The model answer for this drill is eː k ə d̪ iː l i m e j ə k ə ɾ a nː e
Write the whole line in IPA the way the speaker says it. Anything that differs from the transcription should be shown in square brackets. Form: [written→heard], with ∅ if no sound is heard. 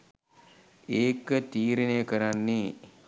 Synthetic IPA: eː k ə [d̪→t̪] iː [l→ɾ] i [m→n] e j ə k ə ɾ a nː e